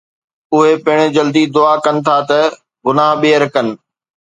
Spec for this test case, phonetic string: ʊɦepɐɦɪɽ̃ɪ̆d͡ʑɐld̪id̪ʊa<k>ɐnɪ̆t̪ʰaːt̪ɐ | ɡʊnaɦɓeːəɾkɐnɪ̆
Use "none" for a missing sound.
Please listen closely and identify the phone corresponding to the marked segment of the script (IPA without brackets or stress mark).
k